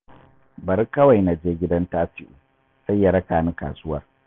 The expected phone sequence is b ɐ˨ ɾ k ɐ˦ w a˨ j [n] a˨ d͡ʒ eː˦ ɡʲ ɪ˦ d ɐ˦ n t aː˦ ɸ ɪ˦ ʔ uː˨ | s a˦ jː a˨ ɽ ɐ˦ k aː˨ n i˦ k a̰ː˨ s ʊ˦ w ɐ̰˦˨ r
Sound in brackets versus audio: correct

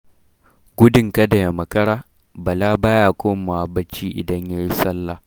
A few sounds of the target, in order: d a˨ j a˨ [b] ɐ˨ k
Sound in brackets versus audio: incorrect: m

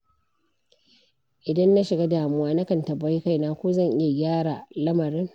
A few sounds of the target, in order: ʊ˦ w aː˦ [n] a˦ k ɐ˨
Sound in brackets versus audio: correct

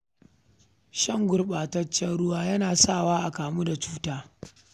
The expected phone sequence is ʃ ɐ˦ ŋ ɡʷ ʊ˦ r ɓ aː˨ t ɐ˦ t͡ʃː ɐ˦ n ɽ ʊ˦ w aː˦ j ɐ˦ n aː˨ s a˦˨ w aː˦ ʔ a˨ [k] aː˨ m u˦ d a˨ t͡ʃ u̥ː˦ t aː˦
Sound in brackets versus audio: correct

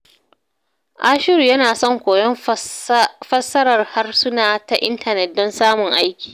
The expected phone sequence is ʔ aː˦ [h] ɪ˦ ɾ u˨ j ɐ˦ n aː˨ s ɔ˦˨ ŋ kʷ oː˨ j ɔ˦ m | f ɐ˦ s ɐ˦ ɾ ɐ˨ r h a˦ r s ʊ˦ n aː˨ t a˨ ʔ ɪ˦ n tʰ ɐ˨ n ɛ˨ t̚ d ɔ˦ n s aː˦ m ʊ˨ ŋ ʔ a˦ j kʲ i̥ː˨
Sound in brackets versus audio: incorrect: ʃ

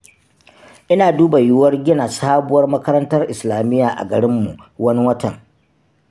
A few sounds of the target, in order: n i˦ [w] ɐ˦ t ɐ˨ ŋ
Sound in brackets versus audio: correct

